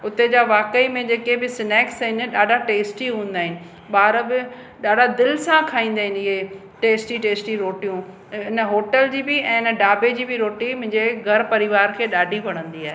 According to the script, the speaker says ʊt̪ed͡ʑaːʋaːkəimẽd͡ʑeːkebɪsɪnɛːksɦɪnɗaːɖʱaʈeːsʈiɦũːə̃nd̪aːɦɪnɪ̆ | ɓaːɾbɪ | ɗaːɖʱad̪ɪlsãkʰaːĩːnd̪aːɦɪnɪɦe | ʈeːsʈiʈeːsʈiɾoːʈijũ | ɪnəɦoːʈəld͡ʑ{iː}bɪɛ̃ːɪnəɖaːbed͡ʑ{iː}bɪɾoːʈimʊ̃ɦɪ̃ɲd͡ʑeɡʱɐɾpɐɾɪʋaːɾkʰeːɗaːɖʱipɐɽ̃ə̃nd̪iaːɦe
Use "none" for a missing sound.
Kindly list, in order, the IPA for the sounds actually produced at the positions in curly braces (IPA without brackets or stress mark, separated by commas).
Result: iː, iː